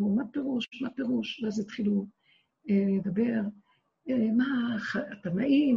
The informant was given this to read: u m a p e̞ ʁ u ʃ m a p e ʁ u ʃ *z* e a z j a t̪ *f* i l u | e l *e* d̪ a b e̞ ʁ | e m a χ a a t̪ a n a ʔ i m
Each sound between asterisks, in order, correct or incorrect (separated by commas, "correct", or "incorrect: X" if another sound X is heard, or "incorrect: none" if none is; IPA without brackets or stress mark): incorrect: v, incorrect: χ, correct